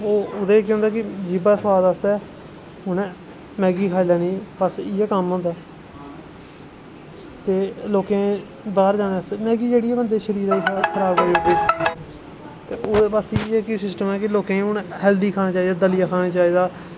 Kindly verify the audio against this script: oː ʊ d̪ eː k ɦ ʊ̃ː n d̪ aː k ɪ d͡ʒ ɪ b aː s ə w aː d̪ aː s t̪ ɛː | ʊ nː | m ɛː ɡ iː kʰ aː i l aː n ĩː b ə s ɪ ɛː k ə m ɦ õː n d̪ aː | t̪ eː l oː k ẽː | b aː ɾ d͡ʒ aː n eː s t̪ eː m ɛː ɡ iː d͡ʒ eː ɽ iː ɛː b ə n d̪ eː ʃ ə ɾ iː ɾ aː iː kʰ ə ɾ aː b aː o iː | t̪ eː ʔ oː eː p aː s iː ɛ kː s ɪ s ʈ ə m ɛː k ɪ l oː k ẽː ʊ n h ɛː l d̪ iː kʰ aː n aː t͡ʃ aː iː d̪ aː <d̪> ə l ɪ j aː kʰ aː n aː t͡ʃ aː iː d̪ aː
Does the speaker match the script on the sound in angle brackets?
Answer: yes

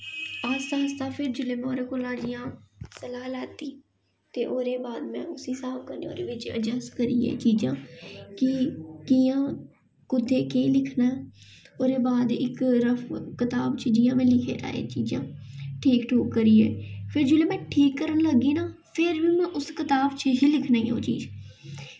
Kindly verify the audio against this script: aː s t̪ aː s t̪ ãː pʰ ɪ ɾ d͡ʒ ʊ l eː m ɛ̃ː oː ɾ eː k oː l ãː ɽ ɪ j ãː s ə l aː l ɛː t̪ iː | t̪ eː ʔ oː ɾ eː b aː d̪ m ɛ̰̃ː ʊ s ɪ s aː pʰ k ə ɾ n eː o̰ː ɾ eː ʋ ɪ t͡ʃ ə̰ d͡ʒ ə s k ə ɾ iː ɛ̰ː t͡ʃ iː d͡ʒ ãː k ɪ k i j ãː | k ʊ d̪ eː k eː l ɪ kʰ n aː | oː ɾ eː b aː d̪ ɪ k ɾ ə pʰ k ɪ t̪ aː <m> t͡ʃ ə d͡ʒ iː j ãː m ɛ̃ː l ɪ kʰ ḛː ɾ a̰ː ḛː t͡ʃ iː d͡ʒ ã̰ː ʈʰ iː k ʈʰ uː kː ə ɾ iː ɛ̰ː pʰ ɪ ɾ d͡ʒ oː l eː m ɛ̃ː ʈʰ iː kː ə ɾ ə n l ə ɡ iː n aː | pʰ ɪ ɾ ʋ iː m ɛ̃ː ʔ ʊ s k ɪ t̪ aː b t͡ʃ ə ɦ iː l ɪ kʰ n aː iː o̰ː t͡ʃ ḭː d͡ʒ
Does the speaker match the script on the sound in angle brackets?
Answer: no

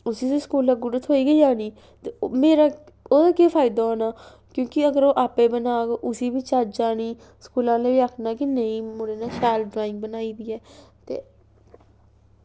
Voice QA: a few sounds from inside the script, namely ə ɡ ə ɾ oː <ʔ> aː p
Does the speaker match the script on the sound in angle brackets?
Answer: yes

